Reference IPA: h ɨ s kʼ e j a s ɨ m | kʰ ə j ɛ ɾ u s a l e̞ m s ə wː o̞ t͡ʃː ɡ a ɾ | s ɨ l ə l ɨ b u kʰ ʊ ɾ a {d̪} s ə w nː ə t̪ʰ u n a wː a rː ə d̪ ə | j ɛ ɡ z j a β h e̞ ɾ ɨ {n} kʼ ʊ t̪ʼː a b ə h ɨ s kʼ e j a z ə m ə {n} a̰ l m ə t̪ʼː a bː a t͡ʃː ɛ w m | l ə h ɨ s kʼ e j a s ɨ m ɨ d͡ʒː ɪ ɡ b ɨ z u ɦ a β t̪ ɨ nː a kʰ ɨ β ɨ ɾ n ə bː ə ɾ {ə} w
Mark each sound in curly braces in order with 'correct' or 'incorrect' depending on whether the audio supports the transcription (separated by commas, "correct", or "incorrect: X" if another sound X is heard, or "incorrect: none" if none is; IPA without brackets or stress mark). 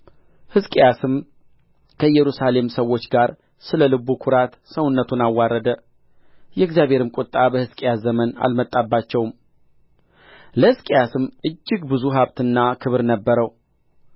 incorrect: t̪, incorrect: m, correct, correct